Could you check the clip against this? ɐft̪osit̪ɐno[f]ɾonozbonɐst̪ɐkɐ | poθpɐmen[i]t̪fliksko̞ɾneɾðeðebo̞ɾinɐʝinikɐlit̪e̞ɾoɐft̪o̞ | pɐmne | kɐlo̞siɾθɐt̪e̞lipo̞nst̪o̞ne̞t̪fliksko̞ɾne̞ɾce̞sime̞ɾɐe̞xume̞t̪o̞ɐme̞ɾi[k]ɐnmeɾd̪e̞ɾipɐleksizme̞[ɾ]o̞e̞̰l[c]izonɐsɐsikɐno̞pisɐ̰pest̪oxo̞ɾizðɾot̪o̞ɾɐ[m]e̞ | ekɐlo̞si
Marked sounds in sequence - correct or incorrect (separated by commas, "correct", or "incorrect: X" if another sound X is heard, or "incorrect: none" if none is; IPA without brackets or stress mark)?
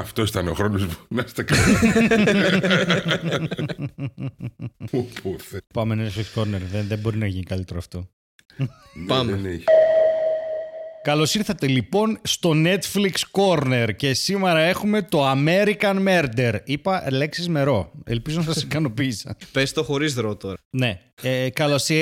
incorrect: x, incorrect: e, correct, correct, incorrect: p, incorrect: n